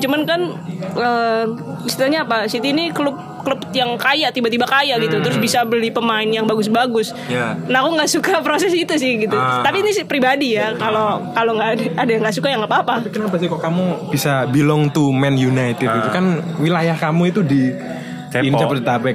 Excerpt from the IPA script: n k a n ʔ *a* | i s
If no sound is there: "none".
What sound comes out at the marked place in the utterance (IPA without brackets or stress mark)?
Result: ə